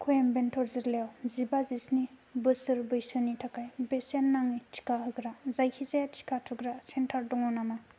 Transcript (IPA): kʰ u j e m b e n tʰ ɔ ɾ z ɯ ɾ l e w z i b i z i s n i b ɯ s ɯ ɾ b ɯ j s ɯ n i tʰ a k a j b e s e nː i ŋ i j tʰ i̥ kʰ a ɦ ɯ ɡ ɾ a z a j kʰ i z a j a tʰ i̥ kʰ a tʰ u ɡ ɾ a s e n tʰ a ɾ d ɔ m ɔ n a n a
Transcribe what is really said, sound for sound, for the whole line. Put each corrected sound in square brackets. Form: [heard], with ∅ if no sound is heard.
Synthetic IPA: kʰ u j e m b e n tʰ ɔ ɾ z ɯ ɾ l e w z i b [a] z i s n i b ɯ s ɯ ɾ b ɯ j s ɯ n i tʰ a k a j b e s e nː [a] ŋ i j tʰ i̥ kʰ a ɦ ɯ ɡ ɾ a z a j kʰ i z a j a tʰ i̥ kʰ a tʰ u ɡ ɾ a s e n tʰ a ɾ d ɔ [ŋ] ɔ n a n a